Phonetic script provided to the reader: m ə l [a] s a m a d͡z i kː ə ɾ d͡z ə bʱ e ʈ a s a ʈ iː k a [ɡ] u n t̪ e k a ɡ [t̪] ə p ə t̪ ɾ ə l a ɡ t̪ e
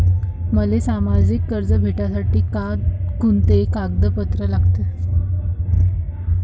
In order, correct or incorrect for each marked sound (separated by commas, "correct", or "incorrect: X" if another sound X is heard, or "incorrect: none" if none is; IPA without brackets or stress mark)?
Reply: incorrect: e, incorrect: k, incorrect: d̪